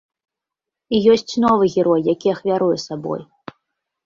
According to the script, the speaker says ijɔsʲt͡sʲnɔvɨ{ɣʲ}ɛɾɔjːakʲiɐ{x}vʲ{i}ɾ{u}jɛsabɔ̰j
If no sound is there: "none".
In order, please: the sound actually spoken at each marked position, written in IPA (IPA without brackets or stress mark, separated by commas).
ɣʲ, x, a, u